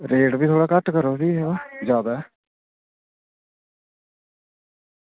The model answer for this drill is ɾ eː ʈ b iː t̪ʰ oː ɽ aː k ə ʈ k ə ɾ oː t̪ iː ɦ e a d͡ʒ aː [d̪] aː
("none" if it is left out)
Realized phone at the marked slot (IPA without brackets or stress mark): d̪